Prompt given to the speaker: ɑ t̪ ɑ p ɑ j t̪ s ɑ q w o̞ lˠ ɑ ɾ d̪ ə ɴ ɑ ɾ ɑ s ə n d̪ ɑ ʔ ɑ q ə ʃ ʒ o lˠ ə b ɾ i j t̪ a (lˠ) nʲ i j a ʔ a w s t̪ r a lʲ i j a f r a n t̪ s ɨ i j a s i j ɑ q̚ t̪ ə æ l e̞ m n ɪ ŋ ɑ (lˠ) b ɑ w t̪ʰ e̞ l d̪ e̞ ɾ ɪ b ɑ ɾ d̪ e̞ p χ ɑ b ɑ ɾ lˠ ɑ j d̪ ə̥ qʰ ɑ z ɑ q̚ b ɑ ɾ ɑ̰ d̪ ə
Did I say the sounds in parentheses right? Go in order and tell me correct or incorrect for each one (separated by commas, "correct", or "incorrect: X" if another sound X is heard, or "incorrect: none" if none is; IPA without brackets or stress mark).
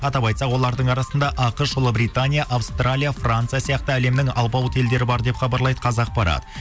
incorrect: none, correct